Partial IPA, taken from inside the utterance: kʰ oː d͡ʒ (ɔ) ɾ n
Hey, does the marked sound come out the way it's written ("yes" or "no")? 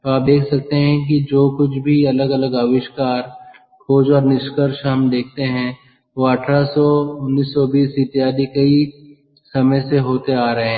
no